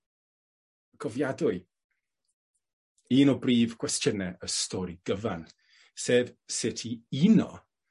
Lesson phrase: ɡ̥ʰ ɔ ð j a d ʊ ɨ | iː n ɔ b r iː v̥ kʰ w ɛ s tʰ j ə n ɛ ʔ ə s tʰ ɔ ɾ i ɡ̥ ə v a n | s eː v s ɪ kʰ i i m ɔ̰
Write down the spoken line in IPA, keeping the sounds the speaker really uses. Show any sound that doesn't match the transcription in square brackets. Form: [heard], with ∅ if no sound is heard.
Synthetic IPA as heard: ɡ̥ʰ ɔ [v] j a d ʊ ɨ | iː n ɔ b r iː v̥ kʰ w ɛ s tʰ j ə n ɛ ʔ ə s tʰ ɔ ɾ i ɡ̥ ə v a n | s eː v s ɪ [tʰ] i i [n] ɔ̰